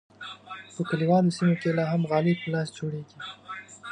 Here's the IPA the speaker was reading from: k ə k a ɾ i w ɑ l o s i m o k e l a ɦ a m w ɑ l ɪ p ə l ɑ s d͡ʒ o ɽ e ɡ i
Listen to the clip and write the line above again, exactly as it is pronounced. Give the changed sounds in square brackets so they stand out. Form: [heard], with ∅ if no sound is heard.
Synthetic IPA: [p] ə k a [l] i w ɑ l o s i m o k e l [ɑ] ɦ a m [ɣ] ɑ l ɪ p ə l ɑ s d͡ʒ o ɽ e ɡ i